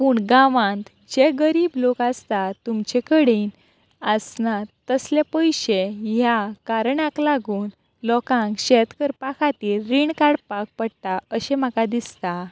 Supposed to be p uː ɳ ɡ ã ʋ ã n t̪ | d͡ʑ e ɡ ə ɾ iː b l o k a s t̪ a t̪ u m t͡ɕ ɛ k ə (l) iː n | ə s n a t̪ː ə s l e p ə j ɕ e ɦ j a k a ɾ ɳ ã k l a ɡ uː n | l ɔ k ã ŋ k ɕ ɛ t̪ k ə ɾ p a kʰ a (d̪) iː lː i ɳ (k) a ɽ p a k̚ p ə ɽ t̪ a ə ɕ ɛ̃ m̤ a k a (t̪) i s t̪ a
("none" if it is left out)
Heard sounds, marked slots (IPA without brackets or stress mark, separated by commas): ɽ, t̪, k, d̪